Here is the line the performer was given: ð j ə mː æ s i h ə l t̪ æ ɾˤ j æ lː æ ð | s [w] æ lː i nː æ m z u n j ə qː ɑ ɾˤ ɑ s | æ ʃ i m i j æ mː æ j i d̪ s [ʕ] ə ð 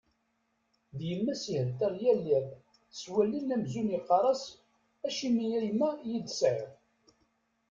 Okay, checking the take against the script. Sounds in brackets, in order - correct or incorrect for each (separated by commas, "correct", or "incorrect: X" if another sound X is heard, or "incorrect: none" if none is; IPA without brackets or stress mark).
correct, correct